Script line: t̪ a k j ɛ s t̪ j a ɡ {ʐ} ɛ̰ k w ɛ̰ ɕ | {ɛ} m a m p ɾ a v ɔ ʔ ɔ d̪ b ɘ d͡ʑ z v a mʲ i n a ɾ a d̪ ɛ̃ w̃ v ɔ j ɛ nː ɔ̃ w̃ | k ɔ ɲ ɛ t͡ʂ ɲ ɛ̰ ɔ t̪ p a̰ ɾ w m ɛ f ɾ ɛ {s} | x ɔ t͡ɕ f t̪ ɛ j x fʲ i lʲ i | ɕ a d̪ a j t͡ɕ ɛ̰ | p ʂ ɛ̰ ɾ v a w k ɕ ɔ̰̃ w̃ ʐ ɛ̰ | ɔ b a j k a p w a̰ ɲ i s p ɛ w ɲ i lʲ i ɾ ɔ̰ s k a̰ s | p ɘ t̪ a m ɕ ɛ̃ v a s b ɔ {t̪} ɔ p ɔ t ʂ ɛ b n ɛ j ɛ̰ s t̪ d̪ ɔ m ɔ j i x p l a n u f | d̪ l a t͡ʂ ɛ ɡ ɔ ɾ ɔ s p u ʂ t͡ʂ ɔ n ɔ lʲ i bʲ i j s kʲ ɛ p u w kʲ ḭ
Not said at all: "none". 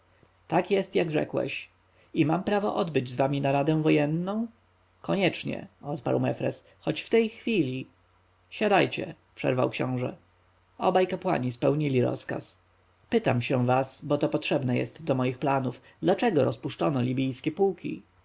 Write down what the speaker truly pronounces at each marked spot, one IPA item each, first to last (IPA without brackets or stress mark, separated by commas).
ʐ, i, s, t̪